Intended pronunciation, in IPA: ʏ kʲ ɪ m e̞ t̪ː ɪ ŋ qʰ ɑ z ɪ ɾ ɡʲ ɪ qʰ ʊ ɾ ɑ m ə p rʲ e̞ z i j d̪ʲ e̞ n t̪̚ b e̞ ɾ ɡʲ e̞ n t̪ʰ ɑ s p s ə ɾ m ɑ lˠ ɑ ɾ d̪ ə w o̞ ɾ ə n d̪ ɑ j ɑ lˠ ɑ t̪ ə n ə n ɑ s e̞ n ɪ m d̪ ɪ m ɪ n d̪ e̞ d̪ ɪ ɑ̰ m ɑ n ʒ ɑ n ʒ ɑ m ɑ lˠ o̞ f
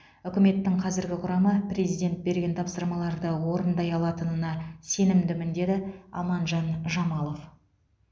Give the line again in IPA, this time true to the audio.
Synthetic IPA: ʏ kʲ ɪ m e̞ t̪ː ɪ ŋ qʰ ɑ z ɪ ɾ ɡʲ ɪ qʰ ʊ ɾ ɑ m ə p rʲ e̞ z i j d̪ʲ e̞ n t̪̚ b e̞ ɾ ɡʲ e̞ n t̪ʰ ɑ p s ə ɾ m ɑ lˠ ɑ ɾ d̪ ə w o̞ ɾ ə n d̪ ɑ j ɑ lˠ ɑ t̪ ə n ə n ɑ s e̞ n ɪ m d̪ ɪ m ɪ n d̪ e̞ d̪ ɪ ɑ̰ m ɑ n ʒ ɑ n ʒ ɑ m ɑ lˠ o̞ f

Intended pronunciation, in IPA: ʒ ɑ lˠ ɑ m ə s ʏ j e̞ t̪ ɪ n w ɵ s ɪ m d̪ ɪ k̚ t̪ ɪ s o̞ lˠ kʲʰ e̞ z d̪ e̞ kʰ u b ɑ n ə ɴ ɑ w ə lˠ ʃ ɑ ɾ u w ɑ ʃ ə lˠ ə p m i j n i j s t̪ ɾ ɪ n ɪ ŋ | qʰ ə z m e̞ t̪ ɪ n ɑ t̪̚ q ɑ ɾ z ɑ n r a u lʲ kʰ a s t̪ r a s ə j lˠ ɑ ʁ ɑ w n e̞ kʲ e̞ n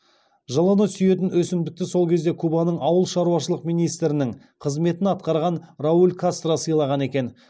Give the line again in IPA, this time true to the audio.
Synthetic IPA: ʒ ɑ lˠ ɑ n ə s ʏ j e̞ t̪ ɪ n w ɵ s ɪ m d̪ ɪ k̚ t̪ ɪ s o̞ lˠ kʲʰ e̞ z d̪ e̞ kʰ u b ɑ n ə ɴ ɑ w ə lˠ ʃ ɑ ɾ u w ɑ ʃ ə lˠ ə q m i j n i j s t̪ ɾ ɪ n ɪ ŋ | qʰ ə z m e̞ t̪ ɪ n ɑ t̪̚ q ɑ ɾ ʁ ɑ n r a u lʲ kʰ a s t̪ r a s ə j lˠ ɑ ʁ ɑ n e̞ kʲ e̞ n

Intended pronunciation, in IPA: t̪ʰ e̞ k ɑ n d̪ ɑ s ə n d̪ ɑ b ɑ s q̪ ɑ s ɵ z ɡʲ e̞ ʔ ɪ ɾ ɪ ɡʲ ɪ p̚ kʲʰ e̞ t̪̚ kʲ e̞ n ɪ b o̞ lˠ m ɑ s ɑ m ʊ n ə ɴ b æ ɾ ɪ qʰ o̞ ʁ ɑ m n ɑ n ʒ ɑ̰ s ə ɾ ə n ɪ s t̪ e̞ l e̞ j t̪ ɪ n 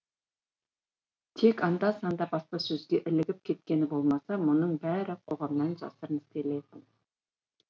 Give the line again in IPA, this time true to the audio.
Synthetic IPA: t̪ʰ e̞ k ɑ n d̪ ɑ s ɑ n d̪ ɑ b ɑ s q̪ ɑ s ɵ z ɡʲ e̞ ʔ ɪ l ɪ ɡʲ ɪ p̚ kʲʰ e̞ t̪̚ kʲ e̞ n ɪ b o̞ lˠ m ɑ s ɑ m ʊ n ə ɴ b æ ɾ ɪ qʰ o̞ ʁ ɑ m n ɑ n ʒ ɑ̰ s ə ɾ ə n ɪ s t̪ e̞ l e̞ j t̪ ɪ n

